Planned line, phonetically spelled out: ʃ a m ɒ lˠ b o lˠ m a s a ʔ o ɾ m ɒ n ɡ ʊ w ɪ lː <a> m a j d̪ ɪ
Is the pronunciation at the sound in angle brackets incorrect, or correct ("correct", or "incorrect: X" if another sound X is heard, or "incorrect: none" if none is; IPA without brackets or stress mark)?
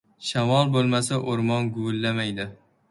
correct